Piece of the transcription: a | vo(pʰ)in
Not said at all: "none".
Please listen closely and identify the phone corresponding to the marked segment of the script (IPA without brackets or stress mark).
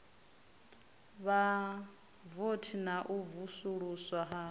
tʰ